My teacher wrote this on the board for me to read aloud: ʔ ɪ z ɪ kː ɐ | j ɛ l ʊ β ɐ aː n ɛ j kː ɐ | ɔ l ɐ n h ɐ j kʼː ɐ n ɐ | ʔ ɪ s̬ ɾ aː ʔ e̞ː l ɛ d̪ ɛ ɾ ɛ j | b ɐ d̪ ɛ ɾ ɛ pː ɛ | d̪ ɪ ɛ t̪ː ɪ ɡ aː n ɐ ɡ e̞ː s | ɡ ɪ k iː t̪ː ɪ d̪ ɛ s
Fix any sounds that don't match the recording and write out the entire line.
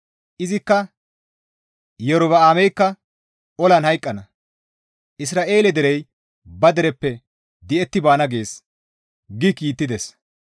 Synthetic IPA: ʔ ɪ z ɪ kː ɐ | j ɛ ɾ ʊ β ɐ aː m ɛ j kː ɐ | ɔ l ɐ n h ɐ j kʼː ɐ n ɐ | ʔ ɪ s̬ ɾ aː ʔ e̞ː l ɛ d̪ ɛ ɾ ɛ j | b ɐ d̪ ɛ ɾ ɛ pː ɛ | d̪ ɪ ɛ t̪ː ɪ b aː n ɐ ɡ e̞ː s | ɡ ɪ k iː t̪ː ɪ d̪ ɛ s